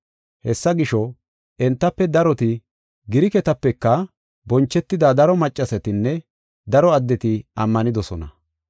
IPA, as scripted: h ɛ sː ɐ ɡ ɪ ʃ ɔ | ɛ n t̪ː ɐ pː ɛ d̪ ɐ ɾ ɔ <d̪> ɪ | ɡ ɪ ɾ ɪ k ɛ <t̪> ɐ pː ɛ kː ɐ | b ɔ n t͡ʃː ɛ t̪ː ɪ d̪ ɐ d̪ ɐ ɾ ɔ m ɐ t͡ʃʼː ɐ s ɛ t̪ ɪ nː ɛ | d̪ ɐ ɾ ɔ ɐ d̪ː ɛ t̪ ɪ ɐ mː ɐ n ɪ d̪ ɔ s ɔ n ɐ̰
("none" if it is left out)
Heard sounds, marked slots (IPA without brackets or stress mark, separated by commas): t̪, t̪